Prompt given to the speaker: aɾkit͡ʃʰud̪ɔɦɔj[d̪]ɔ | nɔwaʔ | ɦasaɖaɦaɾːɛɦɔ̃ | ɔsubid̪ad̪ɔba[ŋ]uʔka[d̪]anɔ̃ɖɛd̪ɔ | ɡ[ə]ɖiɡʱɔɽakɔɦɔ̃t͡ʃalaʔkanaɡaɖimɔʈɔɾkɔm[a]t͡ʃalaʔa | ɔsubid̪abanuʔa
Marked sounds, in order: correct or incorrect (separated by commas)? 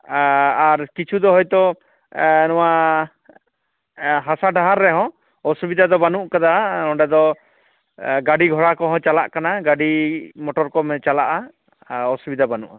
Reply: incorrect, incorrect, correct, incorrect, incorrect